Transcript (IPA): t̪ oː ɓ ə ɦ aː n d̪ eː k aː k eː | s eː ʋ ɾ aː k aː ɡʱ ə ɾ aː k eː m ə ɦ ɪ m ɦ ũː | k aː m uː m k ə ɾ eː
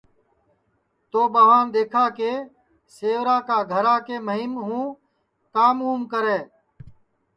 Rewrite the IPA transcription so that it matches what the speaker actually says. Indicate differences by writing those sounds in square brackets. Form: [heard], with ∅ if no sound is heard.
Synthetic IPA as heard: t̪ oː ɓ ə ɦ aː n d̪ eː [kʰ] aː k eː | s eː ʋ ɾ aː k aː ɡʱ ə ɾ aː k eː m ə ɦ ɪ m ɦ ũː | k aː m uː m k ə ɾ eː